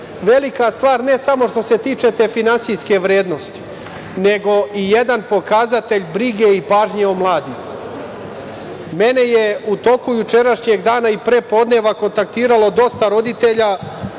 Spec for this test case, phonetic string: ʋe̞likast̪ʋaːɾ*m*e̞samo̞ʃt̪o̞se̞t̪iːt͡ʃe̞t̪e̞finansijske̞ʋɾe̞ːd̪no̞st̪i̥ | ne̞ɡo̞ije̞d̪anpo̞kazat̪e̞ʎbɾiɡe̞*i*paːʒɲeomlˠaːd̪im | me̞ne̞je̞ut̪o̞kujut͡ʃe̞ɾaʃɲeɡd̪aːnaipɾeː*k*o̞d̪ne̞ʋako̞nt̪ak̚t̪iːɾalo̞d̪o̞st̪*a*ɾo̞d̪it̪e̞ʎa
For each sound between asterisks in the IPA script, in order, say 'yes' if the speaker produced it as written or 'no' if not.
no, yes, no, yes

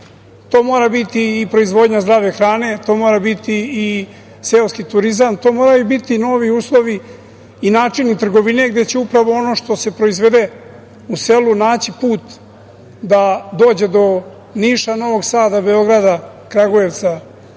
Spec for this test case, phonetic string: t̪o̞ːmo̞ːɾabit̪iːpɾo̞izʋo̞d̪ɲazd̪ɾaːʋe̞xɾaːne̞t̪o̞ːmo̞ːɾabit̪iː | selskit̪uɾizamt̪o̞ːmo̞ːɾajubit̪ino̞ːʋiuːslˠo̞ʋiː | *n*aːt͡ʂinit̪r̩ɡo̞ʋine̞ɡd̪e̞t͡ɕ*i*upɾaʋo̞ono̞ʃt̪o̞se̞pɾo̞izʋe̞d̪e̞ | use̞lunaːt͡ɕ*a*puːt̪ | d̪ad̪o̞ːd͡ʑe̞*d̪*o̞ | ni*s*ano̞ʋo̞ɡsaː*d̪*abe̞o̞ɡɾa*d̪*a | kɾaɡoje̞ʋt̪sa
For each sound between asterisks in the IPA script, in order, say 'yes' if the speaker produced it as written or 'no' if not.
yes, no, no, yes, no, yes, yes

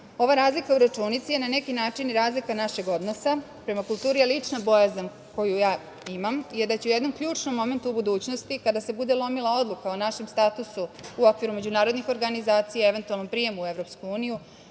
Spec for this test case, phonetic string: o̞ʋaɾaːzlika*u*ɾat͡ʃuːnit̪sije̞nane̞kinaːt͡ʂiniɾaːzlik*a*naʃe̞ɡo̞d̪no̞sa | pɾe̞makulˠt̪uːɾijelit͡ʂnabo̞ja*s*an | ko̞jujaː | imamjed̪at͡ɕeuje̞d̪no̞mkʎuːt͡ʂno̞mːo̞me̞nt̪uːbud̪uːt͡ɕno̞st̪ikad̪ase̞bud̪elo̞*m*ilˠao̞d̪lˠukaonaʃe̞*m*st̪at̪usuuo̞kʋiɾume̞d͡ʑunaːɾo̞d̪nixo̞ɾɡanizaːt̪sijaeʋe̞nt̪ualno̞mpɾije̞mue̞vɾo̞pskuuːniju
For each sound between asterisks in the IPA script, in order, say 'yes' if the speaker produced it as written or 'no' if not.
yes, yes, no, yes, yes

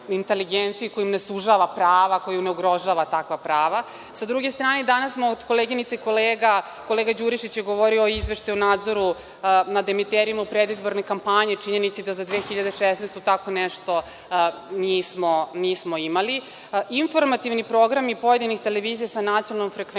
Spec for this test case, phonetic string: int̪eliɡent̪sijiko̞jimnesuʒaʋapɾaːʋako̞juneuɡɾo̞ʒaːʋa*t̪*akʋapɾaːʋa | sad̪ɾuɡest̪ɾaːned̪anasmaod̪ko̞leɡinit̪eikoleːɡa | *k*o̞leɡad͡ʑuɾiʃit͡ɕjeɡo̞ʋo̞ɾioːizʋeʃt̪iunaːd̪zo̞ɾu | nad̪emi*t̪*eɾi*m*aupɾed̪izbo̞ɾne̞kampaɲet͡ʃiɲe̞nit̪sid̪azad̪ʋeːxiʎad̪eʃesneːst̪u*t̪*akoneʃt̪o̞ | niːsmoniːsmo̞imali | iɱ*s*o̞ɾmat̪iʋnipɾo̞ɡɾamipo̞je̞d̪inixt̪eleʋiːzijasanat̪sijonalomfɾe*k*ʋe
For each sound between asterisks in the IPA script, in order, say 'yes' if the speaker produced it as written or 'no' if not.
yes, yes, yes, yes, yes, no, yes

